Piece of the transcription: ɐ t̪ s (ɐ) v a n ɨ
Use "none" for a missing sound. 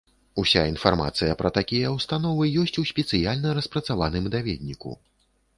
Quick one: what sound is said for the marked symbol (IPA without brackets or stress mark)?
a